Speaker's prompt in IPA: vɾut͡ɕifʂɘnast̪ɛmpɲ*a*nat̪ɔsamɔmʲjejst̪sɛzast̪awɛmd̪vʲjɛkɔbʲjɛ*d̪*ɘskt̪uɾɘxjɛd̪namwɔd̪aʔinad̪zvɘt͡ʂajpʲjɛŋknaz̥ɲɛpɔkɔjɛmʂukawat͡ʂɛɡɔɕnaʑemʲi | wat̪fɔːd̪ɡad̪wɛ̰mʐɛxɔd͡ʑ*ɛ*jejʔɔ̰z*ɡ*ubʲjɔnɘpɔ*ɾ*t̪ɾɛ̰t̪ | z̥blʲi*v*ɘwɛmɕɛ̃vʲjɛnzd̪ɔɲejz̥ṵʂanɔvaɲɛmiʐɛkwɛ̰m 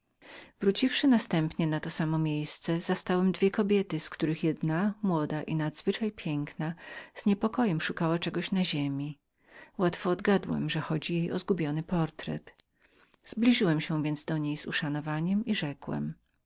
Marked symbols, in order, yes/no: no, no, no, yes, yes, no

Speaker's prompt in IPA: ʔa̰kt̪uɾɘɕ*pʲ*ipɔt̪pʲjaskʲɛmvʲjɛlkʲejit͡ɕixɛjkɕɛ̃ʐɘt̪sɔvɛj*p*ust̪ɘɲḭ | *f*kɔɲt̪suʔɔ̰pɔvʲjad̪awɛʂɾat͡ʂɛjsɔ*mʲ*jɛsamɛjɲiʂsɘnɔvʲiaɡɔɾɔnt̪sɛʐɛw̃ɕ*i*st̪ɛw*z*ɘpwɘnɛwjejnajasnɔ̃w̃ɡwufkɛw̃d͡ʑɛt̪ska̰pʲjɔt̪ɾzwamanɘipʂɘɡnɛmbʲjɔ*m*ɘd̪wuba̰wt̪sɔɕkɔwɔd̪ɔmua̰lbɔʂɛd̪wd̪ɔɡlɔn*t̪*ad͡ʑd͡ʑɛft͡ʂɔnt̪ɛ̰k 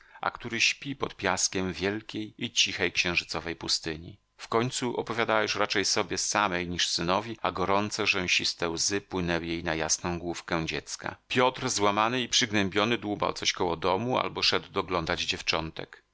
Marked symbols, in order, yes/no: yes, yes, yes, no, yes, yes, no, no

